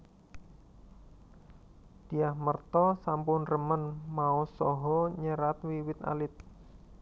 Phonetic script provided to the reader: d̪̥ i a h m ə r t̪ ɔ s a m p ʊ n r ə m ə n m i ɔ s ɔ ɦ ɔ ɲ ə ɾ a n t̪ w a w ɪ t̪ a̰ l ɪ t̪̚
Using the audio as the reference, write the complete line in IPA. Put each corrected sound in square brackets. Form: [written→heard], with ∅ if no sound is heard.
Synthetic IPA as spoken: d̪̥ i a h m ə r t̪ ɔ s a m p ʊ n r ə m ə n m [i→a] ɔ s ɔ ɦ ɔ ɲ ə ɾ a [n→∅] t̪ w [a→i] w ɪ t̪ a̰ l ɪ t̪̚